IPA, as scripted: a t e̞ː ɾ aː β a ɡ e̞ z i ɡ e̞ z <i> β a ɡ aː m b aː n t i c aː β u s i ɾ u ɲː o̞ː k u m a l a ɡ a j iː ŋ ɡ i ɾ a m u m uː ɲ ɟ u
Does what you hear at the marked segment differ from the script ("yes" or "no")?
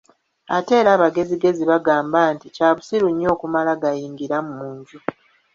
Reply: no